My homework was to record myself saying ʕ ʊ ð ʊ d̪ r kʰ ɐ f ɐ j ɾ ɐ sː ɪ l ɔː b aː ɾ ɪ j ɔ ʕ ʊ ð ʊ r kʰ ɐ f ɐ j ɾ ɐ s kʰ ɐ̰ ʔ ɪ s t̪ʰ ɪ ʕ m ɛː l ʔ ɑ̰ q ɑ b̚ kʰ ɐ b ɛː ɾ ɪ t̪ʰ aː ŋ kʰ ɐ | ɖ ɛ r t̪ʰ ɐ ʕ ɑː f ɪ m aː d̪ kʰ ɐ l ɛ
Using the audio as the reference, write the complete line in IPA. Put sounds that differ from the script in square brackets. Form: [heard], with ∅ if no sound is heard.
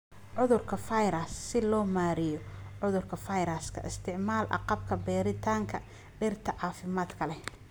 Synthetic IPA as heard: ʕ ʊ ð ʊ [∅] r kʰ ɐ f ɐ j ɾ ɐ sː ɪ l ɔː [m] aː ɾ ɪ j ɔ ʕ ʊ ð ʊ r kʰ ɐ f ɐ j ɾ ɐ s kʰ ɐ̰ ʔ ɪ s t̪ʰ ɪ ʕ m [aː] l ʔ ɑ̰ q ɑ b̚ kʰ ɐ b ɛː ɾ ɪ t̪ʰ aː ŋ kʰ ɐ | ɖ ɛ r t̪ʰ ɐ ʕ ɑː f ɪ m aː d̪ kʰ ɐ l ɛ